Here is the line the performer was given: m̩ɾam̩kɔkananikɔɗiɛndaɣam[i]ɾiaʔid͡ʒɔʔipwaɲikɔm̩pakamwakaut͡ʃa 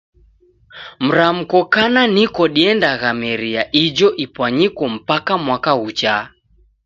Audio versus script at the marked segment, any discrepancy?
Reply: yes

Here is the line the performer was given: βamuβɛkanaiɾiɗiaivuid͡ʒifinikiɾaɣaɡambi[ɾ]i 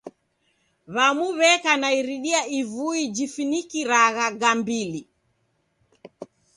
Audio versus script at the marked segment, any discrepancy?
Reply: yes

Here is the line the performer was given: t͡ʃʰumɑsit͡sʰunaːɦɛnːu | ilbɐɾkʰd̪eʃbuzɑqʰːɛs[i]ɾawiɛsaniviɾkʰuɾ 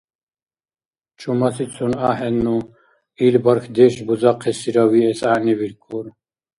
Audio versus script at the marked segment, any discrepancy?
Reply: no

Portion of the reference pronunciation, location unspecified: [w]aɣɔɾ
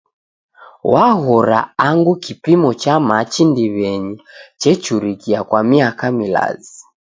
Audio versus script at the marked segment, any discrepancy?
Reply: no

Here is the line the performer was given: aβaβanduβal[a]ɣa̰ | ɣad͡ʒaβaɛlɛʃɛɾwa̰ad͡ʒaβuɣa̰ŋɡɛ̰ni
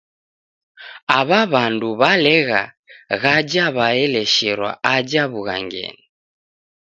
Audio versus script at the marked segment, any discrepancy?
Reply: yes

